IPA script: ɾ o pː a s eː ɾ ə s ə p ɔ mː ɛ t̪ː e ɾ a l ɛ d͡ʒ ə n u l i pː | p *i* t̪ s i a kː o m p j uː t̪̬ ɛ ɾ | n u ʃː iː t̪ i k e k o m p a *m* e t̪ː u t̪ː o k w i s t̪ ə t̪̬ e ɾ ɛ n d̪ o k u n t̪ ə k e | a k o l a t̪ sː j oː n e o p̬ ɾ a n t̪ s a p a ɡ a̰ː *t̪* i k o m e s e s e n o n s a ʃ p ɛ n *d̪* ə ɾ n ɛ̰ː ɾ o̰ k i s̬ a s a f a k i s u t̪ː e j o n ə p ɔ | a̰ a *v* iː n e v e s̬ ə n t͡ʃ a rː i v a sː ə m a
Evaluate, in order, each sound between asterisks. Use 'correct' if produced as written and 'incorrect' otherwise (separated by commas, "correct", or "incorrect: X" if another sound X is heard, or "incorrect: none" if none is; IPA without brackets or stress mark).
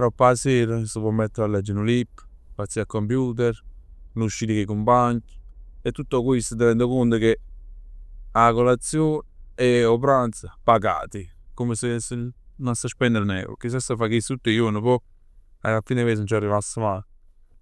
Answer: incorrect: a, incorrect: ɲ, correct, correct, incorrect: f